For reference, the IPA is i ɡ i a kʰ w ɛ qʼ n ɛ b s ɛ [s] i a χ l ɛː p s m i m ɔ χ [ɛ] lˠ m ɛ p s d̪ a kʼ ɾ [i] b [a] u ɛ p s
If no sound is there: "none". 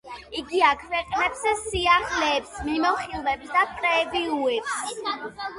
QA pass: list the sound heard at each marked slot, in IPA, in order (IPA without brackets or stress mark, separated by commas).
s, i, ɛ, i